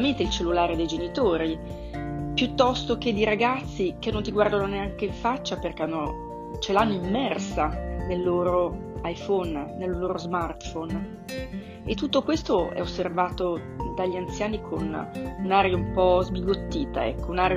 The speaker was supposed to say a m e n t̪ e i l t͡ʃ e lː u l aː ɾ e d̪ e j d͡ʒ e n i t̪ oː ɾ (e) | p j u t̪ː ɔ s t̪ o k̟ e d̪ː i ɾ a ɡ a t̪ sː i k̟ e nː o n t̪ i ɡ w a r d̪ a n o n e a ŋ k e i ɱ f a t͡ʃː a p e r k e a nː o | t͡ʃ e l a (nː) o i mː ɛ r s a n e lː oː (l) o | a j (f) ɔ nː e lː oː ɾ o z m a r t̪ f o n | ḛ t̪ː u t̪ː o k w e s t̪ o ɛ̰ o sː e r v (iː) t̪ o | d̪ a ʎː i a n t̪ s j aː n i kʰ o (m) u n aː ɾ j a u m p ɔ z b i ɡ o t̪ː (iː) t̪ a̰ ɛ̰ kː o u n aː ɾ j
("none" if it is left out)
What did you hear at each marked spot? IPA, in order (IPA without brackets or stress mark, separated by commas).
i, nː, ɾ, f, aː, n, iː